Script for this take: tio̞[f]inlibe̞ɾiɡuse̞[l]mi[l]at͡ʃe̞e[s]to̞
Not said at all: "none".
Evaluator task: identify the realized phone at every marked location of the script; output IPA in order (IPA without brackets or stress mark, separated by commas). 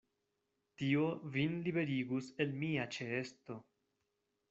v, l, none, s